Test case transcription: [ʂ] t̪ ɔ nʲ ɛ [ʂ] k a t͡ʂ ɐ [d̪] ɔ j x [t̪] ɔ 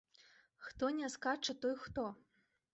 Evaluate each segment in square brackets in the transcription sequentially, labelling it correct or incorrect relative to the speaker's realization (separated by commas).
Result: incorrect, incorrect, incorrect, correct